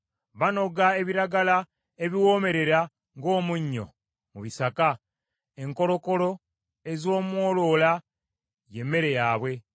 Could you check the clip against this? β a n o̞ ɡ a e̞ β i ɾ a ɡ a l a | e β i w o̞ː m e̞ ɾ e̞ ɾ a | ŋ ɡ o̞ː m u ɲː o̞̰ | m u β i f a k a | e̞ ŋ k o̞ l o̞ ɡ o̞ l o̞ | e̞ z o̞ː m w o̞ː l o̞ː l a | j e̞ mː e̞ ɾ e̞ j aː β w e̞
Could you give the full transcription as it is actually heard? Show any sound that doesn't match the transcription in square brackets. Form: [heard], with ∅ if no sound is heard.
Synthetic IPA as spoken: β a n o̞ ɡ a e̞ β i ɾ a ɡ a l a | e β i w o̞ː m e̞ ɾ e̞ ɾ a | ŋ ɡ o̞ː m u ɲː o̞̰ | m u β i [s] a k a | e̞ ŋ k o̞ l o̞ [k] o̞ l o̞ | e̞ z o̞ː m w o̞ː l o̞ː l a | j e̞ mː e̞ ɾ e̞ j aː β w e̞